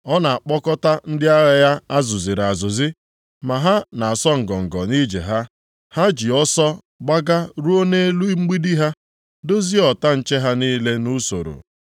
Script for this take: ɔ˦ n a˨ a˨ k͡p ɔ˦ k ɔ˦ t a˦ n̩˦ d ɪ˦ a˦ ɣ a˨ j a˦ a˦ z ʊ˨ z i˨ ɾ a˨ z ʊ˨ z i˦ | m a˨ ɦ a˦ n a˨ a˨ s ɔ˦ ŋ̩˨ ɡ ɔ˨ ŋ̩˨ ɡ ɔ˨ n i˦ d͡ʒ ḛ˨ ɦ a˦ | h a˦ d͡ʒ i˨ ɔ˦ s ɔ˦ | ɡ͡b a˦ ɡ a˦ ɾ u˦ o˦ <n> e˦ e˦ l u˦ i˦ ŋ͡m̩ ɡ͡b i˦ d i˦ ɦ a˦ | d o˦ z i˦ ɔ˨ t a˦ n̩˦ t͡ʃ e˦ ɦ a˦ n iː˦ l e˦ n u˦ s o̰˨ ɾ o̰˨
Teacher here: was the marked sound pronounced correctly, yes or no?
yes